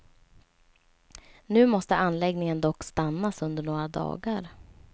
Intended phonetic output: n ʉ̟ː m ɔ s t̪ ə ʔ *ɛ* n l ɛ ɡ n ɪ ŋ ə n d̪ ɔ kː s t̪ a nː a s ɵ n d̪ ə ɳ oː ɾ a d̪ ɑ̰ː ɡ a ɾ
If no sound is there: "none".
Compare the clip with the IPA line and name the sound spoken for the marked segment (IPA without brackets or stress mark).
a